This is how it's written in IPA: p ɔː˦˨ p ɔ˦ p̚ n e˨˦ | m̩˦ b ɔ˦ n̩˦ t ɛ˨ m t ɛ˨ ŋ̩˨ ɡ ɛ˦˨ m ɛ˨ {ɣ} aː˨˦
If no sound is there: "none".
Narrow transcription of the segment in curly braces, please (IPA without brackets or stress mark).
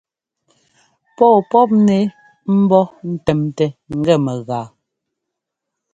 ɣ